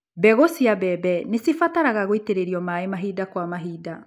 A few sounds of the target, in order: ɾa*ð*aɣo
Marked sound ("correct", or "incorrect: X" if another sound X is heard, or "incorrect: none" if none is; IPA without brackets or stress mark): incorrect: ɣ